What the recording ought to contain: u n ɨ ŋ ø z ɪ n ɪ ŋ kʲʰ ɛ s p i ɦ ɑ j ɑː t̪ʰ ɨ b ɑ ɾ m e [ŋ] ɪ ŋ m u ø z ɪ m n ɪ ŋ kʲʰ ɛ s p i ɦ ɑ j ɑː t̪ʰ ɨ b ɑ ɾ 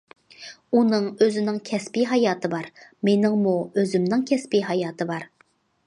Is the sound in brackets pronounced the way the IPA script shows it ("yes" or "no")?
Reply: no